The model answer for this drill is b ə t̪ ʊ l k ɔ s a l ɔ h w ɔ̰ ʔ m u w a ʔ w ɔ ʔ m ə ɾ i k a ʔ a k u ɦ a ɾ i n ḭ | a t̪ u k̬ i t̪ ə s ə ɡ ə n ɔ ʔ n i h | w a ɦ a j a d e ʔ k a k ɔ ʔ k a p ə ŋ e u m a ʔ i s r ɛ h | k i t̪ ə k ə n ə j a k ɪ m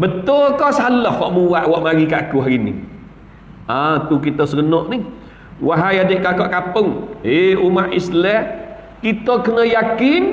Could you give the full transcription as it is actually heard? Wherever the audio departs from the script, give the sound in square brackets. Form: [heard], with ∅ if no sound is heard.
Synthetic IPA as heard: b ə t̪ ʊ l k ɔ s a l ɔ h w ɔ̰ ʔ m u w a ʔ w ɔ ʔ m [a] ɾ i k a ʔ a k u ɦ a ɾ i n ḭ | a t̪ u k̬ i t̪ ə s ə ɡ ə n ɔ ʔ n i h | w a ɦ a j a d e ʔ k a k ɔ ʔ k a p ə ŋ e u m a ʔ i s [l] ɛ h | k i t̪ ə k ə n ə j a k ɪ [n]

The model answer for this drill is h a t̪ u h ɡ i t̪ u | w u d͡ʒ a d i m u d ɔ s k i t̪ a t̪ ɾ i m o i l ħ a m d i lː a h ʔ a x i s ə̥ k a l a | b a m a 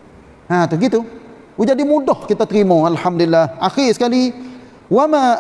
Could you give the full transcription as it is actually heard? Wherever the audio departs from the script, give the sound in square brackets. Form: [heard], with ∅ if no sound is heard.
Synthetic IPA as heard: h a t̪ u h ɡ i t̪ u | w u d͡ʒ a d i m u d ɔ [h] k i t̪ a t̪ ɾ i m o [a] l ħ a m d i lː a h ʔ a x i s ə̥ k a l [i] | [w] a m a

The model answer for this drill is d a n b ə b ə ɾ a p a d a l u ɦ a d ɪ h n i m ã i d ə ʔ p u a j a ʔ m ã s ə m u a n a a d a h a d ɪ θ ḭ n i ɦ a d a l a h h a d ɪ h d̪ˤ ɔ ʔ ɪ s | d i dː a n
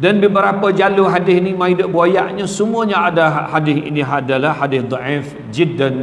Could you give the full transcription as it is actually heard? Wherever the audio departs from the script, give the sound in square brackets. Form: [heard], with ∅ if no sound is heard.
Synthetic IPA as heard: d a n b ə b ə ɾ a p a [d͡ʒ] a l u ɦ a d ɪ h n i m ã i d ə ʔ [b] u a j a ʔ [ɲ] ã s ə m u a [ɲ] a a d a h a d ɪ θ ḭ n i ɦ a d a l a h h a d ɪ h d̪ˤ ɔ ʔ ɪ [f] | [d͡ʒ] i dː a n

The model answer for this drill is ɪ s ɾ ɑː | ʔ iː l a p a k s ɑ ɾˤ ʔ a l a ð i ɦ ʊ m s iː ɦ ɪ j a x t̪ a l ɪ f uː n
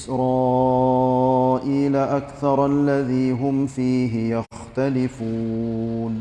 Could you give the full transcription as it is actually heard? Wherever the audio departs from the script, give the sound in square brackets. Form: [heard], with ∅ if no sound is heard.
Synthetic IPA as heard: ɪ s ɾ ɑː | ʔ iː l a [ʔ] a k [θ] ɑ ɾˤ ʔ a [lː] a ð [iː] ɦ ʊ m [f] iː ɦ ɪ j a x t̪ a l ɪ f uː n

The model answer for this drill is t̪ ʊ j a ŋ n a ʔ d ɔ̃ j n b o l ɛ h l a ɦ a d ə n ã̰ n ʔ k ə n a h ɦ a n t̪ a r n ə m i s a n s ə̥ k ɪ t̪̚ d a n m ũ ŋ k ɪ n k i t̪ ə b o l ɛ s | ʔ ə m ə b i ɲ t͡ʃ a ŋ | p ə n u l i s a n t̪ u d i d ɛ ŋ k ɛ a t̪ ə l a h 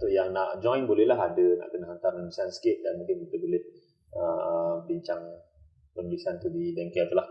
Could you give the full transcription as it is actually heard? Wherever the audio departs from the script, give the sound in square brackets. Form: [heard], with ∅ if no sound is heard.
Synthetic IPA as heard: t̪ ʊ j a ŋ n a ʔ [d͡ʒ] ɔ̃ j n b o l ɛ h l a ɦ a d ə n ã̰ [∅] ʔ k ə n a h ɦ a n t̪ a r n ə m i s a n s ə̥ k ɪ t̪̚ d a n m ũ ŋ k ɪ n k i t̪ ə b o l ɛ [h] | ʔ ə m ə b i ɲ t͡ʃ a ŋ | p ə n u l i s a n t̪ u d i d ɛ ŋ k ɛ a t̪ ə l a h

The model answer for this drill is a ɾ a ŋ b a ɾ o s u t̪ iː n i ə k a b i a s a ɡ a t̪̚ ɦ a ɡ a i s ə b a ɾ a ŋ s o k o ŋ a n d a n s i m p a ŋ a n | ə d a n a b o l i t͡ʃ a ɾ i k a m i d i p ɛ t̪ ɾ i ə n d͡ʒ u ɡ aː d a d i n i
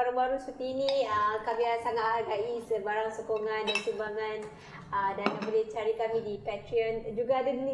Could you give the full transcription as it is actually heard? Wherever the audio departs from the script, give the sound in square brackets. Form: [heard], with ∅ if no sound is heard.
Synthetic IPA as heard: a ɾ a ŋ b a ɾ [u] s u t̪ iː n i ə k a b i a s a [ŋ] a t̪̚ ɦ a ɡ a i s ə b a ɾ a ŋ s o k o ŋ a n d a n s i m [b] a ŋ a n | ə d a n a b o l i t͡ʃ a ɾ i k a m i d i p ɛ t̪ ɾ i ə n d͡ʒ u ɡ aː d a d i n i

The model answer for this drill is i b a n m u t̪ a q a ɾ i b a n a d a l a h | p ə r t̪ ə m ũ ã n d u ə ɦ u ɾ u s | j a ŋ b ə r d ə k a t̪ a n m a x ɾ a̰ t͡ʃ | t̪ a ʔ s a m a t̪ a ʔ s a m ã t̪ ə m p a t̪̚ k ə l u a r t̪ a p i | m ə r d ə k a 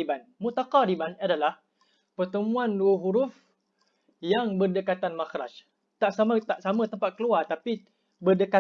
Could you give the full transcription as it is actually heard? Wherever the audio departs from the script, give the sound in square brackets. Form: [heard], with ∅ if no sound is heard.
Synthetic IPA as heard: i b a n m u t̪ a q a ɾ i b a n a d a l a h | p ə r t̪ ə m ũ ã n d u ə ɦ u ɾ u [f] | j a ŋ b ə r d ə k a t̪ a n m a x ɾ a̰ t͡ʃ | t̪ a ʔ s a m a t̪ a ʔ s a m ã t̪ ə m p a t̪̚ k ə l u a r t̪ a p i | [b] ə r d ə k a

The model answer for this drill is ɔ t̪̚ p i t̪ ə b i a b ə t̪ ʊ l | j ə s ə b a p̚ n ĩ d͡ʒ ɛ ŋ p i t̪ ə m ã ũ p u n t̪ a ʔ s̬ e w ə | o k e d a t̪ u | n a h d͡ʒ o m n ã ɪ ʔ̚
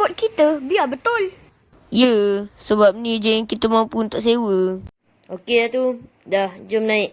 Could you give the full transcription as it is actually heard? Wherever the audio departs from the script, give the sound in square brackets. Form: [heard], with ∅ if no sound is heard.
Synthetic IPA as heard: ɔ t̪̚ [k] i t̪ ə b i a b ə t̪ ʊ l | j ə s ə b a p̚ n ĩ d͡ʒ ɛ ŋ [k] i t̪ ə m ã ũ p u n t̪ a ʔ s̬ e w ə | o k e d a t̪ u | [d] a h d͡ʒ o m n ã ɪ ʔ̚

